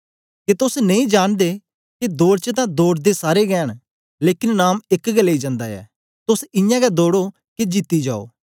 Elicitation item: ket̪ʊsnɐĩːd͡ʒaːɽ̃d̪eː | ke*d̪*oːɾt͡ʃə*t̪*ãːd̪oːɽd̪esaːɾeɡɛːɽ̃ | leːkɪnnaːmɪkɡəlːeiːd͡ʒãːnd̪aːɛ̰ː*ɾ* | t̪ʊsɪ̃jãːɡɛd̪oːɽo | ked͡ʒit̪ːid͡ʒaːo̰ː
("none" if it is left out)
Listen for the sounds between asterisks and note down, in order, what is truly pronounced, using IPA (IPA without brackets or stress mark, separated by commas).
d̪, t̪, none